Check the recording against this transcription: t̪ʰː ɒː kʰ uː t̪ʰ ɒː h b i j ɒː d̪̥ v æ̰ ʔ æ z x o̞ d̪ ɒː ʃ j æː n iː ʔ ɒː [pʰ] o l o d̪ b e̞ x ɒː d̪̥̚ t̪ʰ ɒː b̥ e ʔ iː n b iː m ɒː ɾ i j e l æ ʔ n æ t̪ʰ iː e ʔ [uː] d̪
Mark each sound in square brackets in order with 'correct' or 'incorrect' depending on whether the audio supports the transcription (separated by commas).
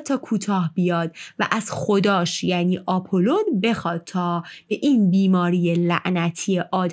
correct, incorrect